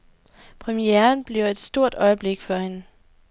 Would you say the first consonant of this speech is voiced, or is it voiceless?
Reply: voiceless